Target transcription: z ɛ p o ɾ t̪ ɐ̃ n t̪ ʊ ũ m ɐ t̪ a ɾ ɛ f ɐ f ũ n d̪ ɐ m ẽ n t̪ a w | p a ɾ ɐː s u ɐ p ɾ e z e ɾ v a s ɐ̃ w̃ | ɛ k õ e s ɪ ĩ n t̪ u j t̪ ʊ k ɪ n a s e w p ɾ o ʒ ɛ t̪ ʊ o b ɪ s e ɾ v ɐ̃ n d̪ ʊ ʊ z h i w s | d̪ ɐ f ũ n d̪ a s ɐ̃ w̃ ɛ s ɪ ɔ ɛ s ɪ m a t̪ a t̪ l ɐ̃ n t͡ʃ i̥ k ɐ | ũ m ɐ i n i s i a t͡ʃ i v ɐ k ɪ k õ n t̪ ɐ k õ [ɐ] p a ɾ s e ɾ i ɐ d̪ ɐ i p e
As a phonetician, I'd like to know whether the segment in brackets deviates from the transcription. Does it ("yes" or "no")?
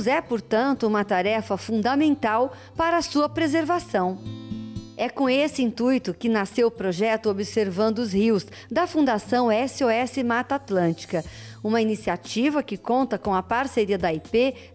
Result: no